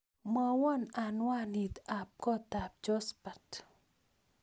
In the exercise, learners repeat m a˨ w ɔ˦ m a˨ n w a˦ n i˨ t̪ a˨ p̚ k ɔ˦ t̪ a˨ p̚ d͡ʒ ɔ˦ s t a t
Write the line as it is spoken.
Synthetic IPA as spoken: m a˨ w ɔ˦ n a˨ n w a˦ n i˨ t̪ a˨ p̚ k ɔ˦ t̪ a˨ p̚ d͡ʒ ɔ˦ s p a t